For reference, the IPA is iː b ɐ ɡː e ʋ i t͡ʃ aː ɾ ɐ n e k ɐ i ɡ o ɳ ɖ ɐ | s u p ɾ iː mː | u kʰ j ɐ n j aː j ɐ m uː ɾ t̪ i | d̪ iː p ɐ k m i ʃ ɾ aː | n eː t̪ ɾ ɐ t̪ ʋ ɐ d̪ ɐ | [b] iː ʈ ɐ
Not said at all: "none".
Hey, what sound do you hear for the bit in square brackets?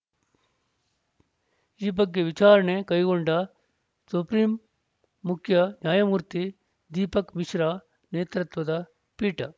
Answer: p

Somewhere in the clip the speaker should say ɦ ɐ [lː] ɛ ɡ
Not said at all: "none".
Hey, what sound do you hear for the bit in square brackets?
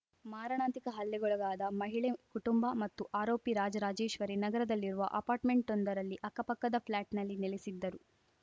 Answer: lː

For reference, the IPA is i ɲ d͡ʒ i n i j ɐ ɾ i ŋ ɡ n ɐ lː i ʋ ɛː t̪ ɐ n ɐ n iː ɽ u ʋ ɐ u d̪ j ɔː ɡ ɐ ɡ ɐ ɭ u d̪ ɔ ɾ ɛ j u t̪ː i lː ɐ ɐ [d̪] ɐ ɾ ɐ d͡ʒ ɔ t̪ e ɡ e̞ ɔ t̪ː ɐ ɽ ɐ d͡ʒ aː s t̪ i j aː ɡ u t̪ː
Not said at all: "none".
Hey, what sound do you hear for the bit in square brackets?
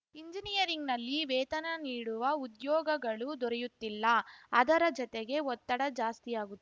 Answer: d̪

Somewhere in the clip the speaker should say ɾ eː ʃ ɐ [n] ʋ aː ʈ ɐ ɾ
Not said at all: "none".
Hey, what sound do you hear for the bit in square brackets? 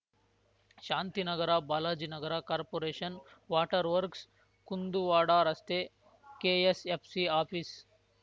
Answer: n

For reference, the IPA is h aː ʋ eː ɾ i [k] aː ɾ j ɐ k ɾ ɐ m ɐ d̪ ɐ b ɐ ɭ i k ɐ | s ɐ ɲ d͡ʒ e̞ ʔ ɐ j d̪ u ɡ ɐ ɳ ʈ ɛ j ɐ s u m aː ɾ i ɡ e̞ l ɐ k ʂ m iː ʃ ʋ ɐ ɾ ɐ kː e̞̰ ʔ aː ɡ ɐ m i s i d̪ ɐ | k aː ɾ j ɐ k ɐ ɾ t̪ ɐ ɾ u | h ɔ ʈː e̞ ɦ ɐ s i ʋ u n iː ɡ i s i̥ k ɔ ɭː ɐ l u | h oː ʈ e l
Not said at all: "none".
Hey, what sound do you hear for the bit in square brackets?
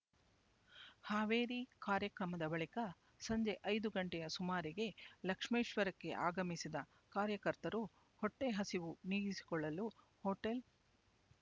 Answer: k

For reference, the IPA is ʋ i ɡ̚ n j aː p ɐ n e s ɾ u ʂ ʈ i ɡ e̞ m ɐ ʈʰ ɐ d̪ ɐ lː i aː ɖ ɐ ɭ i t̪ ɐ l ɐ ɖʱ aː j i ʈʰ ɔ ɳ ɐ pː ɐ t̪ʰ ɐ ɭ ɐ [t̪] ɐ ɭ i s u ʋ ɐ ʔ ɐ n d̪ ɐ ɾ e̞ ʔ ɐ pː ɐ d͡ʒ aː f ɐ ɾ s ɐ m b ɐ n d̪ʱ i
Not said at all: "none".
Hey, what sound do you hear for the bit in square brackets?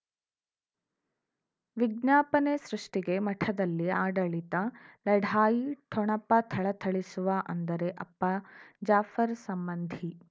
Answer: t̪ʰ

